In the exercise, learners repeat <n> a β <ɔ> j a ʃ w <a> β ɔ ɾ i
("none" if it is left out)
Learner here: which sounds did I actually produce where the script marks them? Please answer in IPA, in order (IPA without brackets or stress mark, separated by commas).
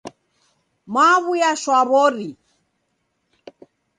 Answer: m, u, a